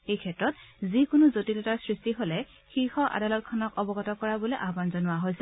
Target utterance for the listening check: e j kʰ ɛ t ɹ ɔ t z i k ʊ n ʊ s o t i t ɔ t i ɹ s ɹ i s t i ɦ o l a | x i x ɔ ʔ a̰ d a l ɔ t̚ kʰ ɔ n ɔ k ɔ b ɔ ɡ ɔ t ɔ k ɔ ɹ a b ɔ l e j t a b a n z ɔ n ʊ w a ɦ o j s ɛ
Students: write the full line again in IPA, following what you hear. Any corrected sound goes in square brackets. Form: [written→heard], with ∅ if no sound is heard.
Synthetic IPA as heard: e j kʰ ɛ t ɹ ɔ t z i k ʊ n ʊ [s→z] o t i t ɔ t [i→a] ɹ s ɹ i s t i ɦ o l [a→ɛ] | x i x ɔ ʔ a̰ d a l ɔ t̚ kʰ ɔ n ɔ k ɔ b ɔ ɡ ɔ t ɔ k ɔ ɹ a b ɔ l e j [t→ʔ] a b a n z ɔ n ʊ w a ɦ o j s ɛ